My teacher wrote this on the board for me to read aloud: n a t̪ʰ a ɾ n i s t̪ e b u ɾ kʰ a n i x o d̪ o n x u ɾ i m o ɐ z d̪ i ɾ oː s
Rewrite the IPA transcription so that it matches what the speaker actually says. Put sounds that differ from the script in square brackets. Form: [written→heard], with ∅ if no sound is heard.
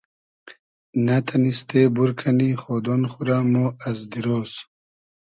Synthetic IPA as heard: n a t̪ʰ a [ɾ→∅] n i s t̪ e b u ɾ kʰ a n i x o d̪ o n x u ɾ [i→a] m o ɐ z d̪ i ɾ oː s